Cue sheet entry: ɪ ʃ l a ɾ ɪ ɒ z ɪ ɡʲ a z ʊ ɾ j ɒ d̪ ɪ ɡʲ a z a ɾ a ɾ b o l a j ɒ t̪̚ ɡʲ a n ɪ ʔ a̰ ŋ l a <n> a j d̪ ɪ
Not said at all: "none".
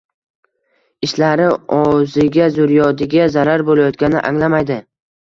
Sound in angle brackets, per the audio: m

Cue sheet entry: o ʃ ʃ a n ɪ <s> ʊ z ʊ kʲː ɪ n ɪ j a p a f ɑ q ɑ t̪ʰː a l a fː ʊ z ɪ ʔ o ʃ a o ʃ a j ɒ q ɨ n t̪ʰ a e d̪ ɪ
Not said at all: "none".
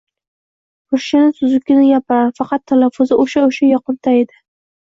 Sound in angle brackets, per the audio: s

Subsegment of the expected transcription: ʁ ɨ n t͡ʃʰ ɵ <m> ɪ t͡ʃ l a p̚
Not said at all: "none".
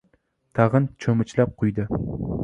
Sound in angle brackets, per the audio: m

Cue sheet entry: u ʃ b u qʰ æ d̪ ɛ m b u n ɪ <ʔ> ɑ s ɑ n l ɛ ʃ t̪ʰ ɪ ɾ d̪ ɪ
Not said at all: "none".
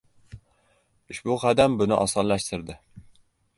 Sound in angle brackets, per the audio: ʔ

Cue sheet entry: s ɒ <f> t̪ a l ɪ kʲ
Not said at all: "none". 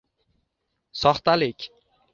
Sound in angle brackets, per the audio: χ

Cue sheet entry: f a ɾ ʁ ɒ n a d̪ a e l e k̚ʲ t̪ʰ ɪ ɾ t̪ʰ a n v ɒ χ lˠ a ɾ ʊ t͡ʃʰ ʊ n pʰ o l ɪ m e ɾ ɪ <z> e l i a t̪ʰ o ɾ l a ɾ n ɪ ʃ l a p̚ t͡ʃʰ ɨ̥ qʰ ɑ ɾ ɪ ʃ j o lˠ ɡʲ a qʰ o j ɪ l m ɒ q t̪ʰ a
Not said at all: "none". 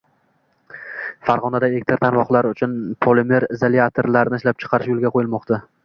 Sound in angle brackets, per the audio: z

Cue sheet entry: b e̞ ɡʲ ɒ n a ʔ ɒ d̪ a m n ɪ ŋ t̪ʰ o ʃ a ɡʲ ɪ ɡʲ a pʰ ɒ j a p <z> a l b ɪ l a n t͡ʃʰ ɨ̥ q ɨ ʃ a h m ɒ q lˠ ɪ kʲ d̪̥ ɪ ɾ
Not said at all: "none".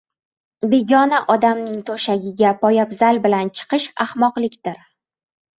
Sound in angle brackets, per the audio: z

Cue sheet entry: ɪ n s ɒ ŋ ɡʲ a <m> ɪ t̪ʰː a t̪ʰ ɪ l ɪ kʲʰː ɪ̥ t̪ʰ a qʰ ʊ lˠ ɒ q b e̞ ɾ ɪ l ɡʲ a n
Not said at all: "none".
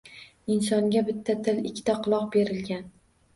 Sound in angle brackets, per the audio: b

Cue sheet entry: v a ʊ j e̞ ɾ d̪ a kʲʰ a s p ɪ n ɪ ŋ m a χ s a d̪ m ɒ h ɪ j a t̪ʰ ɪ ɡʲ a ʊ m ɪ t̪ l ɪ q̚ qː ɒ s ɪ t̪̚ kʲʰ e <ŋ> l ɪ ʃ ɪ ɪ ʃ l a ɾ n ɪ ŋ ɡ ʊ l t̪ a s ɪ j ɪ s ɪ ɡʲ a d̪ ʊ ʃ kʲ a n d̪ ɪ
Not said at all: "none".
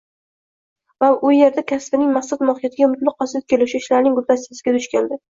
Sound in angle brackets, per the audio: none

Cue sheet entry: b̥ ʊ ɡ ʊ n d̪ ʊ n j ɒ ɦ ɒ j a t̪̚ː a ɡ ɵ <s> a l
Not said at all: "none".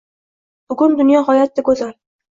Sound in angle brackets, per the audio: z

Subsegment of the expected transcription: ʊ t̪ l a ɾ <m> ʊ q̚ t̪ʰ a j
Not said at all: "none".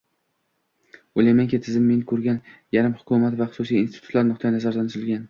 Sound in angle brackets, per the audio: n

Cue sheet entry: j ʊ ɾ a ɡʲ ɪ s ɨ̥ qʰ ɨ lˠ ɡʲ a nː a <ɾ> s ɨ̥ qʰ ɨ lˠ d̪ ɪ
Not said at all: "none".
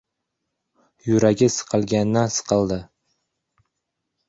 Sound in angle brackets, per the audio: none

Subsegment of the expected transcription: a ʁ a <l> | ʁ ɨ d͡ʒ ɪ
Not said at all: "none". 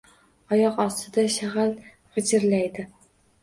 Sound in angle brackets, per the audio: l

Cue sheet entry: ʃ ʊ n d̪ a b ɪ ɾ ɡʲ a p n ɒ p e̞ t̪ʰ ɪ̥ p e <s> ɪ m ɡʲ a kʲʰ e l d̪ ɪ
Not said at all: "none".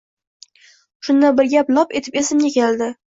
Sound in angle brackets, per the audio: s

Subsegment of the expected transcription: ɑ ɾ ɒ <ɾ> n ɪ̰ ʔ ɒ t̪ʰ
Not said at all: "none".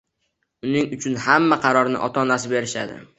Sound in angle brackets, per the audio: ɾ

